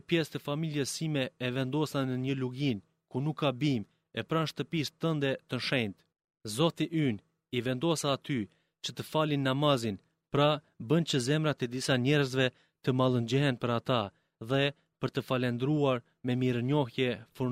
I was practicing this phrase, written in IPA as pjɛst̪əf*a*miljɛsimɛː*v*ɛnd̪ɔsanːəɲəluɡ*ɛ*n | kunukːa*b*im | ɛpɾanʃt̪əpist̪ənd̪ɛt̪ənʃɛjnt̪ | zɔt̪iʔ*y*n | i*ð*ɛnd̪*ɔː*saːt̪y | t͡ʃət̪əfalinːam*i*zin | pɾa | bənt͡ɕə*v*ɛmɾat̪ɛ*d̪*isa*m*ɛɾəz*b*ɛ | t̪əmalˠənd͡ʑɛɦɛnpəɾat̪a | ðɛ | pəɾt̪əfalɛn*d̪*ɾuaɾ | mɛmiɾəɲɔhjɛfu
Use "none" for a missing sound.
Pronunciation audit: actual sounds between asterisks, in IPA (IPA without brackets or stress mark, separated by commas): a, v, i, b, y, v, ɔ, a, z, d̪, ɲ, v, d̪